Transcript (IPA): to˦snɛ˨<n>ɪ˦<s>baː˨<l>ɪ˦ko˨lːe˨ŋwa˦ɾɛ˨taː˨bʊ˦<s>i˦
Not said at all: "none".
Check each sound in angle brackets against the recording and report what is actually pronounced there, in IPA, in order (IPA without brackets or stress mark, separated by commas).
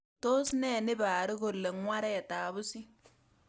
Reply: n, none, ɾ, s